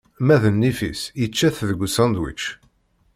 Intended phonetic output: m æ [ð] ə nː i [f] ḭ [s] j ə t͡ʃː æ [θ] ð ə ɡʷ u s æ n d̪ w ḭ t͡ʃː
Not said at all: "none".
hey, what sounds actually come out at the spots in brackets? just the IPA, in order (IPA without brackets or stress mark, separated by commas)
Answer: ð, f, s, θ